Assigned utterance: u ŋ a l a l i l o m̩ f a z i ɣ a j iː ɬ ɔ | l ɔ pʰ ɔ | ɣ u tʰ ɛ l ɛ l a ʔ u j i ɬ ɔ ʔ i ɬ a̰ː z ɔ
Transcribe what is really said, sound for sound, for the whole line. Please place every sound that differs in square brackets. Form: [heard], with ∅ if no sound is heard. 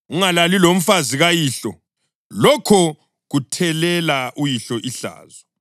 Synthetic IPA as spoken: u ŋ a l a l i l o m̩ f a z i ɣ a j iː ɬ ɔ | l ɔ [kʰ] ɔ | ɣ u tʰ ɛ l ɛ l a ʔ u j i ɬ ɔ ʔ i ɬ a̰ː z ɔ